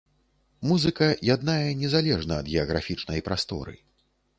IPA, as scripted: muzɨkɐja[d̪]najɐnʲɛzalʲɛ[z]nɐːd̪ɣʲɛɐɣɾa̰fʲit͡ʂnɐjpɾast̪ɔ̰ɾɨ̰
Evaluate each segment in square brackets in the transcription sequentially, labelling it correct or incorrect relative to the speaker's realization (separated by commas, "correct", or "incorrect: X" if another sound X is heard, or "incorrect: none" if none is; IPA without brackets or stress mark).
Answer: correct, incorrect: ʐ